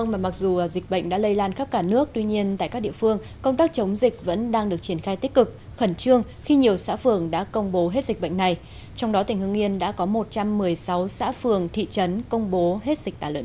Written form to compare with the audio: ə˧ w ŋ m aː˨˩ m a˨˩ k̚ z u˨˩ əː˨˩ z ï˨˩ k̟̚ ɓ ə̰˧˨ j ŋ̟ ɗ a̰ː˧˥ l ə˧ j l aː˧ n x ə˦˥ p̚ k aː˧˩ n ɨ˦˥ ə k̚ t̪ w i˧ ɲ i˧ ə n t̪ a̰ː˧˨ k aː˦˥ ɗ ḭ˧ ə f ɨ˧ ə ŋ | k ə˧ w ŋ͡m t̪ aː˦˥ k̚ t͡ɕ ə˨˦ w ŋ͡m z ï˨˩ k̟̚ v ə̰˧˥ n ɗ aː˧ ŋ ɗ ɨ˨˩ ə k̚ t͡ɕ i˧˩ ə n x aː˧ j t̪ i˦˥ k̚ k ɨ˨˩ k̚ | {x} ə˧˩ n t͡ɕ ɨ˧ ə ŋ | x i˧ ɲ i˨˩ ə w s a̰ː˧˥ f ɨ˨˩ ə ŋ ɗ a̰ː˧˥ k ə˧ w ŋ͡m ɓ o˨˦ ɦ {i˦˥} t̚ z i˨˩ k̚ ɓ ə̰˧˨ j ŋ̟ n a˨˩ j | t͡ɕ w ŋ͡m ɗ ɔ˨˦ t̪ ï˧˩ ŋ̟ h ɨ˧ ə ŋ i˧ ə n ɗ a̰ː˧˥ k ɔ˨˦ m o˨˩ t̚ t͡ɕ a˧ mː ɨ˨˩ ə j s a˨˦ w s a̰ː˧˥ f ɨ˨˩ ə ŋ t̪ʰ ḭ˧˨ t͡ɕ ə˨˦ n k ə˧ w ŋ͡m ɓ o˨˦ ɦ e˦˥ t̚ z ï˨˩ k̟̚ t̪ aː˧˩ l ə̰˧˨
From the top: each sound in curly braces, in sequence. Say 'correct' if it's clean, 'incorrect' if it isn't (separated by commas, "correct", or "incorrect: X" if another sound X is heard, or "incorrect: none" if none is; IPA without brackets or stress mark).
correct, incorrect: e˦˥